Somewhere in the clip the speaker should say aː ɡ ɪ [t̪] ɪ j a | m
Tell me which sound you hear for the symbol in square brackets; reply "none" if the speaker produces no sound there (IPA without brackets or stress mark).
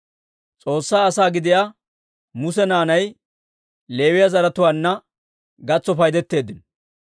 d̪